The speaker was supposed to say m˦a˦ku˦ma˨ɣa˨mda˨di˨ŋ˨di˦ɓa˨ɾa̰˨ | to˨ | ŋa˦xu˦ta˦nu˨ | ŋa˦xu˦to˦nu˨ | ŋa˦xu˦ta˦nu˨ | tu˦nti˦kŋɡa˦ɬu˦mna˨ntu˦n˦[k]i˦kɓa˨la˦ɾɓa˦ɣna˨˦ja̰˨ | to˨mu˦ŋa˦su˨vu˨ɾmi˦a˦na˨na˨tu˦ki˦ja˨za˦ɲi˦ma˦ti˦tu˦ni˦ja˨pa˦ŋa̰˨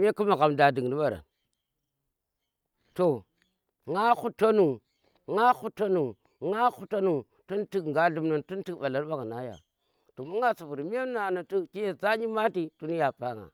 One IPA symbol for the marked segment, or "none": t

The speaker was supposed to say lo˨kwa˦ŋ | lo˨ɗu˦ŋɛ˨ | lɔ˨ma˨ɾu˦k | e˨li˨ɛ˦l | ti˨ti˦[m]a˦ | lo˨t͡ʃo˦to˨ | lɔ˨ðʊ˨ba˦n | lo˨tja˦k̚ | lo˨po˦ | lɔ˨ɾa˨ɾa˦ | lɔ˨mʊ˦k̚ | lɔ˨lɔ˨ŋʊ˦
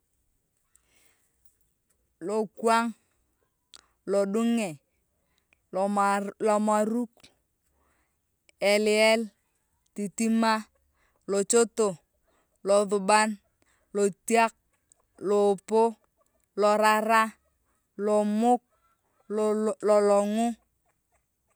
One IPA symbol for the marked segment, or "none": m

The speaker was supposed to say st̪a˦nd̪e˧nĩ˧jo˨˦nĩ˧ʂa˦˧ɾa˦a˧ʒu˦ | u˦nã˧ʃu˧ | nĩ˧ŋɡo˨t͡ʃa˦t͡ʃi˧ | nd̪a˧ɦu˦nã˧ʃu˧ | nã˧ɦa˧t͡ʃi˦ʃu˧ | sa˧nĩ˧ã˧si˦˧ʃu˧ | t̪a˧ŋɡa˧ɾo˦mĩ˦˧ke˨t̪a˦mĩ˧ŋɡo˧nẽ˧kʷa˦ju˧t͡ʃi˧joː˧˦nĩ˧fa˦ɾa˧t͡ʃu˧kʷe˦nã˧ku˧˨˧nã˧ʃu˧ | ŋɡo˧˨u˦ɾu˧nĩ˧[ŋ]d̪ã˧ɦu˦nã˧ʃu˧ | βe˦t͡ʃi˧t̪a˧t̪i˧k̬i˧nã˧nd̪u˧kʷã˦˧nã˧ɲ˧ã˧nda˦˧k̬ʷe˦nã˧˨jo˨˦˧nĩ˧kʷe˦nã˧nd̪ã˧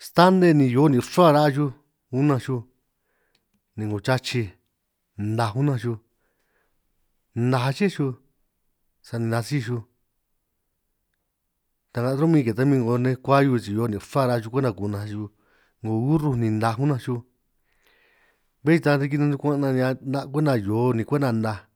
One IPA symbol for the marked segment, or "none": n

